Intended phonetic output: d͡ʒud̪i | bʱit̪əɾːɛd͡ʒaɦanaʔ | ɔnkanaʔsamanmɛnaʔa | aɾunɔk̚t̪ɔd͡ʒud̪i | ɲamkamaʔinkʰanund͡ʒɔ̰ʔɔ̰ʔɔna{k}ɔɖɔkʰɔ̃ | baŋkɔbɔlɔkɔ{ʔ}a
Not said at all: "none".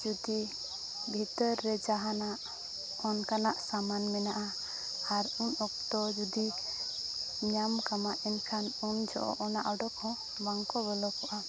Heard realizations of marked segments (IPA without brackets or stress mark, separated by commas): ʔ, ʔ